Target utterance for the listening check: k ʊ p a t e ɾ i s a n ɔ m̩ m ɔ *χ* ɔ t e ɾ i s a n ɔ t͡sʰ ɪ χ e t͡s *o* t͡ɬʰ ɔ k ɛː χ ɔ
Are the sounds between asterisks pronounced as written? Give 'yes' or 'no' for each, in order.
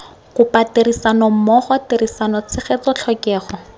yes, no

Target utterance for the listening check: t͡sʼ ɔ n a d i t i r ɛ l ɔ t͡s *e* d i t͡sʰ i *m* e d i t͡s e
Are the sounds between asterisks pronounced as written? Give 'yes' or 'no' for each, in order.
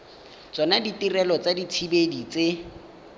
no, no

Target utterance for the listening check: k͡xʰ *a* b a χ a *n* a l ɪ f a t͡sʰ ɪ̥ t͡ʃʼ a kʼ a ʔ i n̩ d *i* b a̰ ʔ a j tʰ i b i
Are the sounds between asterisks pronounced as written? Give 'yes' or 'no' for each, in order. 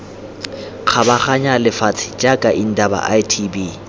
yes, no, no

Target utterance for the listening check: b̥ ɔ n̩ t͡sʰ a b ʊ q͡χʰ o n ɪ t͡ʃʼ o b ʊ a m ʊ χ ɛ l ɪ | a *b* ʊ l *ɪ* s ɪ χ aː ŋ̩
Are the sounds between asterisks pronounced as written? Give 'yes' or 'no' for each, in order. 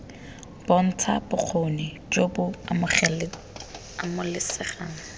no, yes

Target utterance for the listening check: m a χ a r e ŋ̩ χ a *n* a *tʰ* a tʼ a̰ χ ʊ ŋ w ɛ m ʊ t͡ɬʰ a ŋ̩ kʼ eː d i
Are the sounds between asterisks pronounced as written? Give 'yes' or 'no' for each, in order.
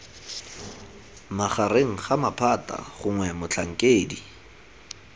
no, no

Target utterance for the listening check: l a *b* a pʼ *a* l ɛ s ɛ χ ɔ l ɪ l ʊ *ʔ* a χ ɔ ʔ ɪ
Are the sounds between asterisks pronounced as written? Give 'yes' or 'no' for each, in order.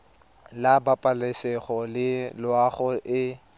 yes, yes, no

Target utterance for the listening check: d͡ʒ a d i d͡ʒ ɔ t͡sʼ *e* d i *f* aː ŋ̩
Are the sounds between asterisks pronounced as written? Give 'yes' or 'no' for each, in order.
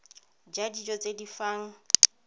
yes, yes

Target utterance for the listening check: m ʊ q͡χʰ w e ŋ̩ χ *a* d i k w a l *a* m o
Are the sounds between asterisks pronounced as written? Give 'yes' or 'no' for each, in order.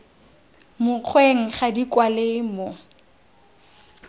yes, no

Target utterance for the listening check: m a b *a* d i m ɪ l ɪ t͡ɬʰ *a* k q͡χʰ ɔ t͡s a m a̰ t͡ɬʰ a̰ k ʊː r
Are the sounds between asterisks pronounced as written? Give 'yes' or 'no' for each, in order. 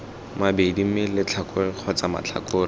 no, yes

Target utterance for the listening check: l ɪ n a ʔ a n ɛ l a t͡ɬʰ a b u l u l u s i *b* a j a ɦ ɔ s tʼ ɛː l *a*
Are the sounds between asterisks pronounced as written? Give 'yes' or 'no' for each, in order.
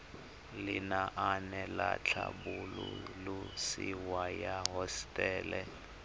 no, no

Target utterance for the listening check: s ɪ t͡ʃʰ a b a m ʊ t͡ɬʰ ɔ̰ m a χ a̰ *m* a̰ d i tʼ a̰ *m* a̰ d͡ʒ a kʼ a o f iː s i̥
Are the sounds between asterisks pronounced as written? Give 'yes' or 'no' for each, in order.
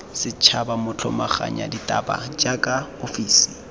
no, no

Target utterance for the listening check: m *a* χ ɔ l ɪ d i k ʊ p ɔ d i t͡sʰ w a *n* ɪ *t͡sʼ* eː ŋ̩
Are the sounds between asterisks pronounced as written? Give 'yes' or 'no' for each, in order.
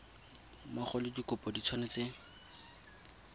yes, yes, no

